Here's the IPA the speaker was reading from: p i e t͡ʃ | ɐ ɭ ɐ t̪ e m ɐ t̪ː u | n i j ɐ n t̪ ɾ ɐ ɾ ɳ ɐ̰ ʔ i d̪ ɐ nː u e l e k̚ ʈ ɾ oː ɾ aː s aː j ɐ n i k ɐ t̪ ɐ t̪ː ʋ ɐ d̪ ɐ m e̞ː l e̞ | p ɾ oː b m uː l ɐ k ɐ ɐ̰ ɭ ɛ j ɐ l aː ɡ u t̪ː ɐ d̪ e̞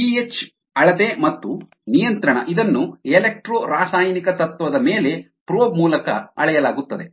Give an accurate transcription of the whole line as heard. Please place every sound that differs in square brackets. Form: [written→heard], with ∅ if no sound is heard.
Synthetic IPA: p i e t͡ʃ | ɐ ɭ ɐ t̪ e m ɐ t̪ː u | n i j ɐ n t̪ ɾ ɐ [ɾ→∅] ɳ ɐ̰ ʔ i d̪ ɐ nː u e l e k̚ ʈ ɾ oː ɾ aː s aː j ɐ n i k ɐ t̪ ɐ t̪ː ʋ ɐ d̪ ɐ m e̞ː l e̞ | p ɾ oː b m uː l ɐ k ɐ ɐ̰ ɭ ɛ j ɐ l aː ɡ u t̪ː ɐ d̪ e̞